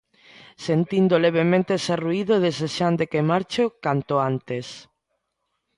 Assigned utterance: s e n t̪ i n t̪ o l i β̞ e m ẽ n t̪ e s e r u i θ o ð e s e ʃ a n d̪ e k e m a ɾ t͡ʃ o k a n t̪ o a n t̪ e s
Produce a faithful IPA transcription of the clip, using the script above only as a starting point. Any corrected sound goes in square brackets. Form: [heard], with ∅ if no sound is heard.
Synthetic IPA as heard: s e n t̪ i n [d̪] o l [e] β̞ e m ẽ n t̪ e s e r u i [ð] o ð e s e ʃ a n d̪ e k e m a ɾ t͡ʃ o k a n t̪ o a n t̪ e s